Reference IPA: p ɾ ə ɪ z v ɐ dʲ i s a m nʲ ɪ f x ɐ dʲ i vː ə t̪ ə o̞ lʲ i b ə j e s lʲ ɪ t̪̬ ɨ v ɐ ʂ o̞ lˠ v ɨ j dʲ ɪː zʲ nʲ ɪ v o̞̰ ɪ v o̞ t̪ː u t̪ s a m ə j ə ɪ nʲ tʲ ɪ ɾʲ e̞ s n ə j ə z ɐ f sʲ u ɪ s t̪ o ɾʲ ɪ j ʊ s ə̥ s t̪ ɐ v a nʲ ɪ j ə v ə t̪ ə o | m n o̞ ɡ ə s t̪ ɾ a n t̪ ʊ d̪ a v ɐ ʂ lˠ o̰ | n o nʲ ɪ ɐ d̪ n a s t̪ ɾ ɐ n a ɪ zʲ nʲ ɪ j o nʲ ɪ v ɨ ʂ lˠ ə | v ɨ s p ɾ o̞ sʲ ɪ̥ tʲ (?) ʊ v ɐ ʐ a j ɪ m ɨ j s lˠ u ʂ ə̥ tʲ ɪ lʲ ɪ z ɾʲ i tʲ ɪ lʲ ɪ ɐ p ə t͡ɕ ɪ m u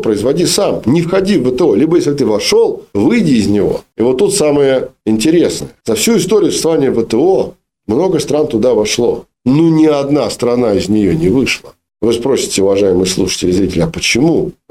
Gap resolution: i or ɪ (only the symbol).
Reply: ɪ